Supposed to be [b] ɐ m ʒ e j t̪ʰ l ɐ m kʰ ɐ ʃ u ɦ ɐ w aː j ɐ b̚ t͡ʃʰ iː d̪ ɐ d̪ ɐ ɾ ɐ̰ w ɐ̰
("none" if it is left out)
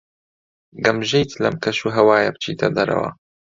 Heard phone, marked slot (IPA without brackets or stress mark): ɡ